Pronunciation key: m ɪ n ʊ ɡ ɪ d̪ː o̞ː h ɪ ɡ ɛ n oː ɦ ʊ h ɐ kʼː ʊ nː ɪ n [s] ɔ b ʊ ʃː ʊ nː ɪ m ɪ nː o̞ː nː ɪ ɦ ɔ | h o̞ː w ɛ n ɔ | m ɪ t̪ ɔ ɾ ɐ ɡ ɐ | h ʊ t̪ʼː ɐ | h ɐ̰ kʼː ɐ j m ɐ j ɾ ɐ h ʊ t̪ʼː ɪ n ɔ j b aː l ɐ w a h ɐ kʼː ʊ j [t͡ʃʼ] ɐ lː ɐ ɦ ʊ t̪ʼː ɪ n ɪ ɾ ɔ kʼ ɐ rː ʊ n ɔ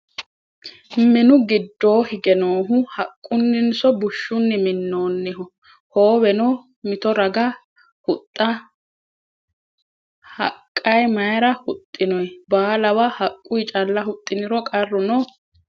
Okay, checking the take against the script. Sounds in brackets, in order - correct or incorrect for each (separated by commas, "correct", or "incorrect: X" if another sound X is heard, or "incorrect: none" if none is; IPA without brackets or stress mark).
correct, correct